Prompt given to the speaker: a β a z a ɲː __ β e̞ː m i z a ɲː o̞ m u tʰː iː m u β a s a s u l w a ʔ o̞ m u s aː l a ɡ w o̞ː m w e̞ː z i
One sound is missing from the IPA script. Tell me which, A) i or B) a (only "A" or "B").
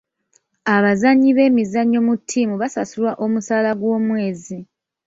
A